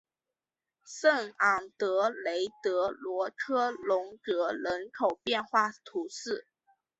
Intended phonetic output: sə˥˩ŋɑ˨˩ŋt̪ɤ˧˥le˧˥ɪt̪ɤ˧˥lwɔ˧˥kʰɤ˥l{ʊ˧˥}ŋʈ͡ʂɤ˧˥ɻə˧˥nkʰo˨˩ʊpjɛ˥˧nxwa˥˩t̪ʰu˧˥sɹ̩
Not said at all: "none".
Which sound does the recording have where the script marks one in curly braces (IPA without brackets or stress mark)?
ʊ˧˥